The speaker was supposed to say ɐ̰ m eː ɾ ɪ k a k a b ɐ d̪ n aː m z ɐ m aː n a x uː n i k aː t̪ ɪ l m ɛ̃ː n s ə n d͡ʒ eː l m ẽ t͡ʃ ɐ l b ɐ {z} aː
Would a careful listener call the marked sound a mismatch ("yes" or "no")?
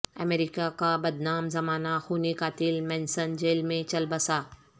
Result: yes